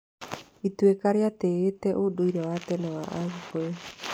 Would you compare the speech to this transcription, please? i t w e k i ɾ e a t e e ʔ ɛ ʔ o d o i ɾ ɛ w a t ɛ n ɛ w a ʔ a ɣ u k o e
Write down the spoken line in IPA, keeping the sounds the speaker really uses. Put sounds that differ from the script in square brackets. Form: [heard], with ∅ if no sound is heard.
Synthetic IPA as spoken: i t w e k [a] ɾ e a t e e [t] ɛ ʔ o d o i ɾ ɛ w a t ɛ n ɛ w a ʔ a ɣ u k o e